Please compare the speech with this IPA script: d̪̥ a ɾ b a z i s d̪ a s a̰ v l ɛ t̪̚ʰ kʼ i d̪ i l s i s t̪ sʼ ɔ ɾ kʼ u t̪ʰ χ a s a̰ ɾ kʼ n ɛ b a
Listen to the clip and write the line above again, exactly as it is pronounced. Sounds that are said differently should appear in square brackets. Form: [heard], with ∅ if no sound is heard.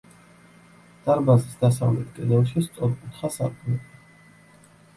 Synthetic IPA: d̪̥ a ɾ b a z i s d̪ a s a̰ v l ɛ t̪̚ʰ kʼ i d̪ [ɛ] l [ʃ] i s t̪ sʼ ɔ ɾ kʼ u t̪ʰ χ a s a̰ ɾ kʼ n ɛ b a

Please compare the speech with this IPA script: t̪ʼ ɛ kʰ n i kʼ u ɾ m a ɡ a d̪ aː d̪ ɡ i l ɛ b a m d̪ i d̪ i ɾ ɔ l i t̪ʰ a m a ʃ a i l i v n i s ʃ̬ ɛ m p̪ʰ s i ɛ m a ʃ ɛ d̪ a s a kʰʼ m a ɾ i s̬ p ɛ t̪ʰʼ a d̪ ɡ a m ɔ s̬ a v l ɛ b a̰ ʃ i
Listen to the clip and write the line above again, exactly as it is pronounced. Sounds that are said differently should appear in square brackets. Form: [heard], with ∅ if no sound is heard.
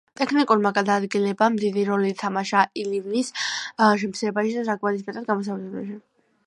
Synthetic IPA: t̪ʼ ɛ kʰ n i kʼ u ɾ m a ɡ a d̪ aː d̪ ɡ i l ɛ b a m d̪ i d̪ i ɾ ɔ l i t̪ʰ a m a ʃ a i l i v n i s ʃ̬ ɛ m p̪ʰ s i ɛ [b] a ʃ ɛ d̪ a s a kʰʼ m a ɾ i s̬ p ɛ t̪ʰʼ a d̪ ɡ a m ɔ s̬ a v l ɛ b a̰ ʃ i

